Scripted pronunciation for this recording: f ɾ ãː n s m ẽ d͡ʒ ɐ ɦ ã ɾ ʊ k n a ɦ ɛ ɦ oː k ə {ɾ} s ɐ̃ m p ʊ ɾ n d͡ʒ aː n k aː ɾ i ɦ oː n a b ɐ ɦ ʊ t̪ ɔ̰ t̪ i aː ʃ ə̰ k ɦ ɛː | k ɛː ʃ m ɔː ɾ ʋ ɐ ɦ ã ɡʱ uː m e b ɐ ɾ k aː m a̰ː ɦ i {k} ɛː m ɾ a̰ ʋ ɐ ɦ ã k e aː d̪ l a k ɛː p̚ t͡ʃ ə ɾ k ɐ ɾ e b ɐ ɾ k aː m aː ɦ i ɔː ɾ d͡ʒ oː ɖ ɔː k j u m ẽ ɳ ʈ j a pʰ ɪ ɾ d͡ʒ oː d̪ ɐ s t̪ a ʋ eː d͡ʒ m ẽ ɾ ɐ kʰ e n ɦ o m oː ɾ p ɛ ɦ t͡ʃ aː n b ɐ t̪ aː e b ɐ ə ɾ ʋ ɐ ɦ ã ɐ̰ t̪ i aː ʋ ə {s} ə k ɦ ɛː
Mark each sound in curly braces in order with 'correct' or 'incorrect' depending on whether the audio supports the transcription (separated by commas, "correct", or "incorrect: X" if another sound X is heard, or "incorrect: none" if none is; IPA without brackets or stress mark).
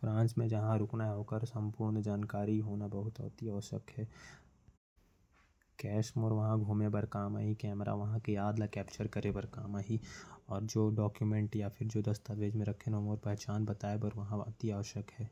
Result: correct, correct, incorrect: ʃ